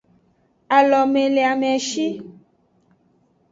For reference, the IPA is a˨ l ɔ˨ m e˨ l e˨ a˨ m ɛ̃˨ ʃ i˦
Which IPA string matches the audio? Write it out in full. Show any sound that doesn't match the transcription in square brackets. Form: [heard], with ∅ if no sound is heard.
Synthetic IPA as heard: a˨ l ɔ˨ m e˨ l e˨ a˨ m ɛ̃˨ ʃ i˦